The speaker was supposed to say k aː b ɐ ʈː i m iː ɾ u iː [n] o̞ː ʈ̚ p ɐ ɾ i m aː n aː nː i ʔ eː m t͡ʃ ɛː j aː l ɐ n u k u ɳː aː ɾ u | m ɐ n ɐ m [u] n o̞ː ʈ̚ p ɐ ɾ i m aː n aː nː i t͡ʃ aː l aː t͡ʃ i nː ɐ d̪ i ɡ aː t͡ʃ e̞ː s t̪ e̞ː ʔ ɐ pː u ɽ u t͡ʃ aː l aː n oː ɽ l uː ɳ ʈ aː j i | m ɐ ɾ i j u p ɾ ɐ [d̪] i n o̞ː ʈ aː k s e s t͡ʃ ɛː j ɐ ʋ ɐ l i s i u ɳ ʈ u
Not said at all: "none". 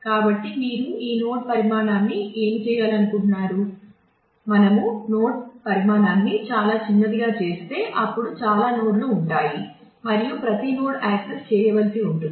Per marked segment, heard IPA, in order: n, u, t̪

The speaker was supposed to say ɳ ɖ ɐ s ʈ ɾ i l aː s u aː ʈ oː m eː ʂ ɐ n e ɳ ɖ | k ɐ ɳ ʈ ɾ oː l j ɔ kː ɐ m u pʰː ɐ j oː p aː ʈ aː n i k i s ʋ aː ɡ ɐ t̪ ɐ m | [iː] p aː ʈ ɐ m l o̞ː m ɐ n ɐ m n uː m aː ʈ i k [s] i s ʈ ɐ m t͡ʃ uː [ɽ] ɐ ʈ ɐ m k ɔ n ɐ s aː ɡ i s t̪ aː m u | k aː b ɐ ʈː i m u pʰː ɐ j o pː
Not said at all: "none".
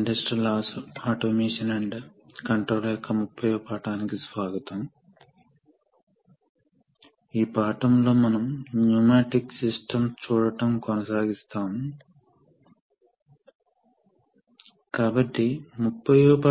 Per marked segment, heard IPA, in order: iː, s, ɽ

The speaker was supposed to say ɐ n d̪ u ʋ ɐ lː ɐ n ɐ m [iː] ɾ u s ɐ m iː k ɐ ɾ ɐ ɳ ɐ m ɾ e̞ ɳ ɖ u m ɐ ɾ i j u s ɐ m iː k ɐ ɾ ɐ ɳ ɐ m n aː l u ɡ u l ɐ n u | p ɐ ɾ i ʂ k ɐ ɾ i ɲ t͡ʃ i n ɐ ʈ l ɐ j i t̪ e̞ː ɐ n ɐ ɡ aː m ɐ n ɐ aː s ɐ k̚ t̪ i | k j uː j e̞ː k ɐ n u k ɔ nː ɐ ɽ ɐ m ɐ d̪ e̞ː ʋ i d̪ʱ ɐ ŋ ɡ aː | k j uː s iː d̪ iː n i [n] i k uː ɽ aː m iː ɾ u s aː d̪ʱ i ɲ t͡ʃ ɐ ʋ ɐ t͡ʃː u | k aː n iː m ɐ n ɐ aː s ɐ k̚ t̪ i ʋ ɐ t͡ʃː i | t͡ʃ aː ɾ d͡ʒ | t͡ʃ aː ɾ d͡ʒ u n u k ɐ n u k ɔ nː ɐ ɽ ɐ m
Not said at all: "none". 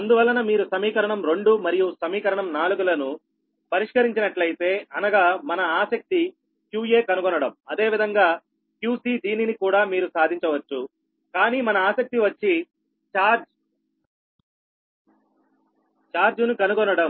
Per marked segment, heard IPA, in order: iː, n

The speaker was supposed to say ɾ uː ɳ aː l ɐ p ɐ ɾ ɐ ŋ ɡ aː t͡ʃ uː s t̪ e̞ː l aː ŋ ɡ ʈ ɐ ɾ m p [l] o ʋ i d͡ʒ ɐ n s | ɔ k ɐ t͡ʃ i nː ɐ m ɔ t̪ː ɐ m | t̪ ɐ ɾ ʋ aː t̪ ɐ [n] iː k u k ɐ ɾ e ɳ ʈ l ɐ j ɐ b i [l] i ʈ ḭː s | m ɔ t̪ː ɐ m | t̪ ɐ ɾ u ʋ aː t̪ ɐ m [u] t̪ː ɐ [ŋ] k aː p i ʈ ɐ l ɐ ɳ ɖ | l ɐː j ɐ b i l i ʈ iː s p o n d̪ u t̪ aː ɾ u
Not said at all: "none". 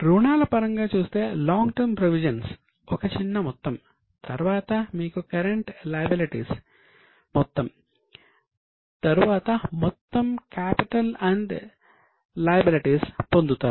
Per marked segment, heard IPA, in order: ɾ, m, l, ɔ, m

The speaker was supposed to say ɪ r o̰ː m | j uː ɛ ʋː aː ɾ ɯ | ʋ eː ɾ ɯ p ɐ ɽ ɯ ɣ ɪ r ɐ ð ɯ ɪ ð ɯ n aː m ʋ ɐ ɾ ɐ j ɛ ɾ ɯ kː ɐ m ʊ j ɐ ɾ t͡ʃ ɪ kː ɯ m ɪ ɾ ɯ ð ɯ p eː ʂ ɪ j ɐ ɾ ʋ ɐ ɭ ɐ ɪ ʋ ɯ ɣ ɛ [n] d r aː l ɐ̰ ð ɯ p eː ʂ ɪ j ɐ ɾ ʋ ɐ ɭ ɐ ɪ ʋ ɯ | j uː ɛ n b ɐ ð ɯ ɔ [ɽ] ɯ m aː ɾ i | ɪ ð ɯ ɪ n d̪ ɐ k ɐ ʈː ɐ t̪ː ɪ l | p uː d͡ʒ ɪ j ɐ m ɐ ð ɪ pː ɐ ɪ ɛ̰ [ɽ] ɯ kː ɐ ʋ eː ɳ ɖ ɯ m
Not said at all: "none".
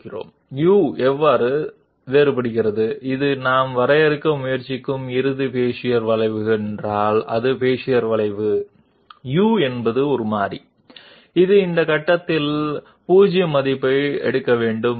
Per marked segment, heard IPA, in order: n, ɾ, ɽ

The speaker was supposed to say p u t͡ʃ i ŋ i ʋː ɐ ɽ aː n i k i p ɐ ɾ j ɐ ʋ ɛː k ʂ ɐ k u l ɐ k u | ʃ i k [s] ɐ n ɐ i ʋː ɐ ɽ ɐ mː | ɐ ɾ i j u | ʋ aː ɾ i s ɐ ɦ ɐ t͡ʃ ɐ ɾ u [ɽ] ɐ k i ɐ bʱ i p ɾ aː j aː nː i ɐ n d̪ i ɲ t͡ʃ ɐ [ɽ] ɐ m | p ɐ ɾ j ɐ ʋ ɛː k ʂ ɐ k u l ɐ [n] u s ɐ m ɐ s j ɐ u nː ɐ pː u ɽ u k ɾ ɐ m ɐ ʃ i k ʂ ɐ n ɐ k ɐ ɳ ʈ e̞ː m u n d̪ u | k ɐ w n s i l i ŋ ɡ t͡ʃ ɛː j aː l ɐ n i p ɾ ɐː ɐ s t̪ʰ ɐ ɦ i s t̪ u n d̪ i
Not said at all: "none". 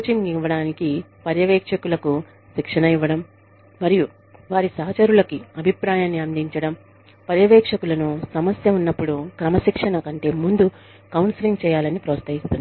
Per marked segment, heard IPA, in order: ʂ, l, ɽ, n

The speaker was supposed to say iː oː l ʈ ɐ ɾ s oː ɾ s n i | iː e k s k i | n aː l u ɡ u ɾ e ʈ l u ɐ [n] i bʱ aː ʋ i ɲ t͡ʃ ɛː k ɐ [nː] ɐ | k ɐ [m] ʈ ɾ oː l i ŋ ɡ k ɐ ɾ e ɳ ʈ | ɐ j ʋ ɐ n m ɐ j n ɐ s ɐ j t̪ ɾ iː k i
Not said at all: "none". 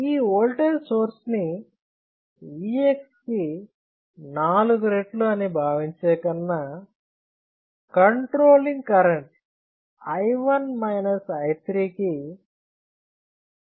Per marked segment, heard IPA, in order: n, nː, ɳ

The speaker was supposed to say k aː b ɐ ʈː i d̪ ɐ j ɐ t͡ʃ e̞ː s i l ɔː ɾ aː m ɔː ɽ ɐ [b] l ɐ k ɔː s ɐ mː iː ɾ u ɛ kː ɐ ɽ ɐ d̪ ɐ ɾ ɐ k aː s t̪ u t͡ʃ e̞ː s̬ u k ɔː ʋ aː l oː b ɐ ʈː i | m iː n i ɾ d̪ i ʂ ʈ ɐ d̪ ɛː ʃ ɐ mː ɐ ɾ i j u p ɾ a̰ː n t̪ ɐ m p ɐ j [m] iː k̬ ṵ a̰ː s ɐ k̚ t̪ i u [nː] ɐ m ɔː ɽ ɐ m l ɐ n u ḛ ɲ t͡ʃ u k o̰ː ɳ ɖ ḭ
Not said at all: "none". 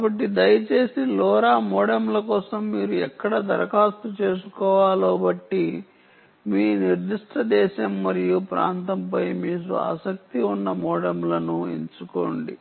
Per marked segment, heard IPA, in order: m, m, nː

